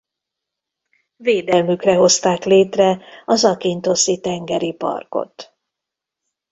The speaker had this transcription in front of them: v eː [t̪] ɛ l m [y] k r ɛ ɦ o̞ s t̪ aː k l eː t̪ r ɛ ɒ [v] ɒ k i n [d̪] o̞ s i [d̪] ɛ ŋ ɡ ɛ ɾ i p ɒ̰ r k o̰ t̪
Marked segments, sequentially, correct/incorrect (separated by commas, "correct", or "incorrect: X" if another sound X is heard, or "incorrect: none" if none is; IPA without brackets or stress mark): incorrect: d̪, correct, incorrect: z, incorrect: t̪, incorrect: t̪